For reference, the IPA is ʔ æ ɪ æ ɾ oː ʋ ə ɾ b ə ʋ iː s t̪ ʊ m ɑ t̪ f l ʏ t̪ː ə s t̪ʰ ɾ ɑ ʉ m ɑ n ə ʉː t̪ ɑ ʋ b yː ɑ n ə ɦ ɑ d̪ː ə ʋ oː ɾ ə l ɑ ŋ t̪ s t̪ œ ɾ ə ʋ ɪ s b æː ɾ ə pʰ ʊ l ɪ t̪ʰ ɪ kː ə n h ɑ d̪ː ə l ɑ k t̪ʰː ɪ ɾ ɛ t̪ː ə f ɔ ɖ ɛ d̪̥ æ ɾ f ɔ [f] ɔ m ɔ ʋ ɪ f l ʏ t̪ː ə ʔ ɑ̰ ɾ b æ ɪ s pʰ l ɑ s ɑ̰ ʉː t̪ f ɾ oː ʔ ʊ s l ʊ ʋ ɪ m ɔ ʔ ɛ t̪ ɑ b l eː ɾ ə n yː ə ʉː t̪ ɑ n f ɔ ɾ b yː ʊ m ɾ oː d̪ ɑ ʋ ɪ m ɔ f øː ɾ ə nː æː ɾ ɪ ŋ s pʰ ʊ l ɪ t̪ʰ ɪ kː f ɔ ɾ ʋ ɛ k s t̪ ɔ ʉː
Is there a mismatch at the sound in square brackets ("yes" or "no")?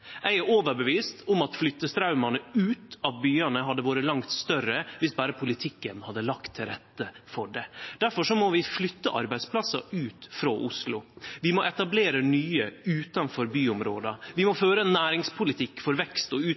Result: yes